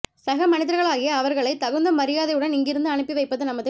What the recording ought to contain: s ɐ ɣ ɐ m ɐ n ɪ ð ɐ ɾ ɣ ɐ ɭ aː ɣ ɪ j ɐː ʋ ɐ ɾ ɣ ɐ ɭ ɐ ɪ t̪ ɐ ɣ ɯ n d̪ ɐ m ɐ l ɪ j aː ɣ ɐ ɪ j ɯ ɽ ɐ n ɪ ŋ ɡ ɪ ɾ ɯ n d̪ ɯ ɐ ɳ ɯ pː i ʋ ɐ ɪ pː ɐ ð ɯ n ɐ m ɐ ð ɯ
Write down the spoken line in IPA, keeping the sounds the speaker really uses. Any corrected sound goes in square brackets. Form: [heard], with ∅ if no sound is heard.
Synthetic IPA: s ɐ ɣ ɐ m ɐ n ɪ ð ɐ ɾ ɣ ɐ ɭ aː ɣ ɪ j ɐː ʋ ɐ ɾ ɣ ɐ ɭ ɐ ɪ t̪ ɐ ɣ ɯ n d̪ ɐ m ɐ [ɾ] ɪ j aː [ð] ɐ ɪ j ɯ ɽ ɐ n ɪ ŋ ɡ ɪ ɾ ɯ n d̪ ɯ ɐ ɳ ɯ pː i ʋ ɐ ɪ pː ɐ ð ɯ n ɐ m ɐ ð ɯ

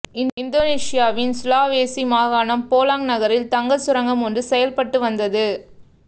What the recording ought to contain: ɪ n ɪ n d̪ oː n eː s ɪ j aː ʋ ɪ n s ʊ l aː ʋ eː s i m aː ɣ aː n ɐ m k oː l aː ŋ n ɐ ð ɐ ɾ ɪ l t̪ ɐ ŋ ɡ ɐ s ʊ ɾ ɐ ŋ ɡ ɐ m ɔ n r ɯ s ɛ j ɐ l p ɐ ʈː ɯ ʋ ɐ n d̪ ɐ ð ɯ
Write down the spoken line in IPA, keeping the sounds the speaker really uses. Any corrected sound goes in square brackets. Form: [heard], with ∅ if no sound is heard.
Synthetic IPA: ɪ n ɪ n d̪ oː n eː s ɪ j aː ʋ ɪ n s ʊ l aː ʋ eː s i m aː ɣ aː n ɐ m [p] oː l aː ŋ n ɐ [ɣ] ɐ ɾ ɪ l t̪ ɐ ŋ ɡ ɐ s ʊ ɾ ɐ ŋ ɡ ɐ m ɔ n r ɯ s ɛ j ɐ l p ɐ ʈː ɯ ʋ ɐ n d̪ ɐ ð ɯ

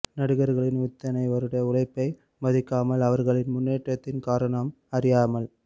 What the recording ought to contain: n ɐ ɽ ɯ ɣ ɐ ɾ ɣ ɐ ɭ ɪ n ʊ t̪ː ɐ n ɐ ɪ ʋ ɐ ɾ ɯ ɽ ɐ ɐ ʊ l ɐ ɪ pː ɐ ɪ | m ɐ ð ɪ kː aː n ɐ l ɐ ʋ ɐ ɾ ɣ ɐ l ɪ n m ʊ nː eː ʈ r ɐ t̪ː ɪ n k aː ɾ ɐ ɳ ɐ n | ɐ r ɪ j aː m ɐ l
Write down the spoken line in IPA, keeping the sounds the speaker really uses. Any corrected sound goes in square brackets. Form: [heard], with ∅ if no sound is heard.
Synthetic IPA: n ɐ ɽ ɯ ɣ ɐ ɾ ɣ ɐ ɭ ɪ n ʊ t̪ː ɐ n ɐ ɪ ʋ ɐ ɾ ɯ ɽ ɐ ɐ ʊ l ɐ ɪ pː ɐ ɪ | m ɐ ð ɪ kː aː [m] ɐ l ɐ ʋ ɐ ɾ ɣ ɐ [ɭ] ɪ n m ʊ nː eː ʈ r ɐ t̪ː ɪ n k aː ɾ ɐ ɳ ɐ [m] | ɐ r ɪ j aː m ɐ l

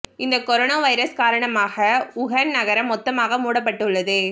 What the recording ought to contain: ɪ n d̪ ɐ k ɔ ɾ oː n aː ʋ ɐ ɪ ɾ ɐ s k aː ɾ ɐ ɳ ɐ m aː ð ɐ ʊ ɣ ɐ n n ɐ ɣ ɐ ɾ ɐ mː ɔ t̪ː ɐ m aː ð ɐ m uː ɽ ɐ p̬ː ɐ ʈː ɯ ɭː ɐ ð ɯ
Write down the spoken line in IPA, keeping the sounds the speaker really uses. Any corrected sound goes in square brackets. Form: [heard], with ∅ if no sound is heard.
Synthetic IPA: ɪ n d̪ ɐ k ɔ ɾ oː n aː ʋ ɐ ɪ ɾ ɐ s k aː ɾ ɐ ɳ ɐ m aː [ɣ] ɐ ʊ ɣ ɐ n n ɐ ɣ ɐ ɾ ɐ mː ɔ t̪ː ɐ m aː [ɣ] ɐ m uː ɽ ɐ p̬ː ɐ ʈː ɯ ɭː ɐ ð ɯ

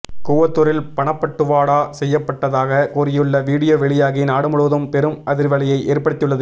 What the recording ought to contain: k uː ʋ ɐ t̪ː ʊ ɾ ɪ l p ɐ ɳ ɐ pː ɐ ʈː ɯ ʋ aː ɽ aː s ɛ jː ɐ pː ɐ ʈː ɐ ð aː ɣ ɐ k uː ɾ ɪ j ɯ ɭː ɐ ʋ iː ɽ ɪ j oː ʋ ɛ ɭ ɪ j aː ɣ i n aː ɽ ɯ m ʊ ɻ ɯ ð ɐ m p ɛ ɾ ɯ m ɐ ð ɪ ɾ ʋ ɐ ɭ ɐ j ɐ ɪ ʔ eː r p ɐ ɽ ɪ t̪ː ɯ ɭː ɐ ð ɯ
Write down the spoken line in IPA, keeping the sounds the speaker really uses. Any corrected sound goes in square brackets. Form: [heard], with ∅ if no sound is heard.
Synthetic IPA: k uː ʋ ɐ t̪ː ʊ ɾ ɪ l p ɐ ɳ ɐ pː ɐ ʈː ɯ ʋ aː ɽ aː s ɛ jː ɐ pː ɐ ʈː ɐ ð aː ɣ ɐ k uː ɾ ɪ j ɯ ɭː ɐ ʋ iː ɽ ɪ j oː ʋ ɛ ɭ ɪ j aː ɣ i n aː ɽ ɯ m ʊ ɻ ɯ ð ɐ m p ɛ ɾ ɯ m ɐ ð ɪ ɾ ʋ ɐ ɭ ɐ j ɐ ɪ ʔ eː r p ɐ ɽ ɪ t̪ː ɯ ɭː ɐ ð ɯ

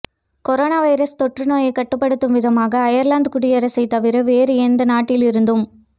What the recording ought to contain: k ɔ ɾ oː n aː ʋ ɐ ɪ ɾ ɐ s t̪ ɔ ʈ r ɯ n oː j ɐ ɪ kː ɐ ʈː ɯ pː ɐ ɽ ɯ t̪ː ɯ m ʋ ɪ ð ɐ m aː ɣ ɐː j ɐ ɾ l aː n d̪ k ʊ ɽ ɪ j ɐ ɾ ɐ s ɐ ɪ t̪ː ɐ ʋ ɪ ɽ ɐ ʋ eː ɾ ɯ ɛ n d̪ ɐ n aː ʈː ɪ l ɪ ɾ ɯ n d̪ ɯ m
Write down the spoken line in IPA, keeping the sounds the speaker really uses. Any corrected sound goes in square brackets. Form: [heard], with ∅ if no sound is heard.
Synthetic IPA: k ɔ ɾ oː n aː ʋ ɐ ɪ ɾ ɐ s t̪ ɔ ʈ r ɯ n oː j ɐ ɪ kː ɐ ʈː ɯ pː ɐ ɽ ɯ t̪ː ɯ m ʋ ɪ ð ɐ m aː ɣ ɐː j ɐ ɾ l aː n d̪ k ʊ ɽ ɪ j ɐ ɾ ɐ s ɐ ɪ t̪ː ɐ ʋ ɪ [ɾ] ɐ ʋ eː ɾ ɯ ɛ n d̪ ɐ n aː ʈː ɪ l ɪ ɾ ɯ n d̪ ɯ m

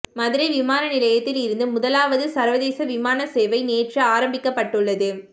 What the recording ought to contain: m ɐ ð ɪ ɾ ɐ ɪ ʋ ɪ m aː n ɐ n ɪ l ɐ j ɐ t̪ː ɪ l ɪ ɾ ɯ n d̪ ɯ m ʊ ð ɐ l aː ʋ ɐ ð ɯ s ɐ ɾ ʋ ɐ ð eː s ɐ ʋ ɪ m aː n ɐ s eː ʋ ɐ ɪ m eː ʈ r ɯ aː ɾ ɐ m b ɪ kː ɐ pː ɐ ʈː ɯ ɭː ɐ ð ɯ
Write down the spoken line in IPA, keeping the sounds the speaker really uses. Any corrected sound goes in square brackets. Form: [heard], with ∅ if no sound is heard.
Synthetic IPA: m ɐ ð ɪ ɾ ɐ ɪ ʋ ɪ m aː n ɐ n ɪ l ɐ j ɐ t̪ː ɪ l ɪ ɾ ɯ n d̪ ɯ m ʊ ð ɐ l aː ʋ ɐ ð ɯ s ɐ ɾ ʋ ɐ ð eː s ɐ ʋ ɪ m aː n ɐ s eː ʋ ɐ ɪ [n] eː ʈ r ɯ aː ɾ ɐ m b ɪ kː ɐ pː ɐ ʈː ɯ ɭː ɐ ð ɯ

